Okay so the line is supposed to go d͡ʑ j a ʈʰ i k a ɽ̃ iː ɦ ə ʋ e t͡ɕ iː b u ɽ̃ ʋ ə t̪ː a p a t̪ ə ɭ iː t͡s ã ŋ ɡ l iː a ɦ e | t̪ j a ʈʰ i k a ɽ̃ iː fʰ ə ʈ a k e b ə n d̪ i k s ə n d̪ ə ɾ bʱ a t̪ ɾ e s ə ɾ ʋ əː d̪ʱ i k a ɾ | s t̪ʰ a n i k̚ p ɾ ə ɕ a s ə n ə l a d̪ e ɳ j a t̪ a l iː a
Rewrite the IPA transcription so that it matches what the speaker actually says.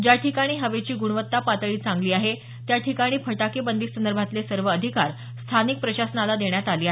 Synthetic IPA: d͡ʑ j a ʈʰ i k a ɽ̃ iː ɦ ə ʋ e t͡ɕ iː ɡ u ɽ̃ ʋ ə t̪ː a p a t̪ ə ɭ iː t͡s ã ŋ ɡ l iː a ɦ e | t̪ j a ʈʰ i k a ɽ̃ iː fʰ ə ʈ a k e b ə n d̪ i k s ə n d̪ ə ɾ bʱ a t̪ l e s ə ɾ ʋ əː d̪ʱ i k a ɾ | s t̪ʰ a n i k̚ p ɾ ə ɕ a s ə n a l a d̪ e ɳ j a t̪ a l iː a